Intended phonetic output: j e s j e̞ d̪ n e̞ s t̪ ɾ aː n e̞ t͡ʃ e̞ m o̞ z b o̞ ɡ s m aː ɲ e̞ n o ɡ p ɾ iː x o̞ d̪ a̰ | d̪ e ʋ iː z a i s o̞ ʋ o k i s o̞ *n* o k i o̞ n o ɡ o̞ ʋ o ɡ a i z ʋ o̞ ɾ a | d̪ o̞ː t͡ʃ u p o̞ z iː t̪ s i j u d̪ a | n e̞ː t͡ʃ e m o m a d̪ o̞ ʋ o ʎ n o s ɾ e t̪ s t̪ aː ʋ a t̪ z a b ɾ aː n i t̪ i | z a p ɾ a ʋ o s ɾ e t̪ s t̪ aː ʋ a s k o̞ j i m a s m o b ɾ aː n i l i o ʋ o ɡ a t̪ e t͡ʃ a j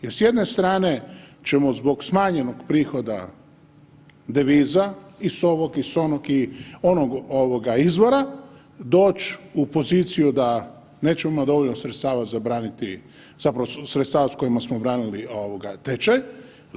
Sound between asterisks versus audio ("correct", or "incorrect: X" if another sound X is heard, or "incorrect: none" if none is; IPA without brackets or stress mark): correct